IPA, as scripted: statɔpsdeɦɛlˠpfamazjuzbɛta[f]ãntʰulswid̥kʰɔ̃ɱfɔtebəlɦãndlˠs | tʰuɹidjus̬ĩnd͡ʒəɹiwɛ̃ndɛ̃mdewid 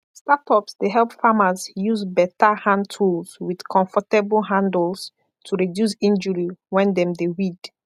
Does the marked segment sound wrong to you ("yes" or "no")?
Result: yes